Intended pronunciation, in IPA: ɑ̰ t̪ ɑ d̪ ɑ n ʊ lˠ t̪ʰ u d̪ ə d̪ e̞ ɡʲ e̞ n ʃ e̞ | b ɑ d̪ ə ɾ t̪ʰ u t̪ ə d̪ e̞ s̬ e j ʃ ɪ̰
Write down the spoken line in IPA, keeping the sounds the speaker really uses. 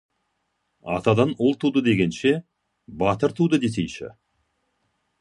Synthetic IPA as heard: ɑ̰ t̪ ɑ d̪ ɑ n ʊ lˠ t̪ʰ u d̪ ə d̪ e̞ ɡʲ e̞ n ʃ e̞ | b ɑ t̪ ə ɾ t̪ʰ u d̪ ə d̪ e̞ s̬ e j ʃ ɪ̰